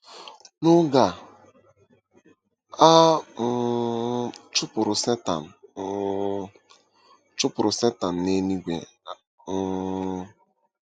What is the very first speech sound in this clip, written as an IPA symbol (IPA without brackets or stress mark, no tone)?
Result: n